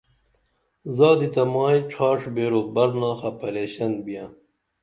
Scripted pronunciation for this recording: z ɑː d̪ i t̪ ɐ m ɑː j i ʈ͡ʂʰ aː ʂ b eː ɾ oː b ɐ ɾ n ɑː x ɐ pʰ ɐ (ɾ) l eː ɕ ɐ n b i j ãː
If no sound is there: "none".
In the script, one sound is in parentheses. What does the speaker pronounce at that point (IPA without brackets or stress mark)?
none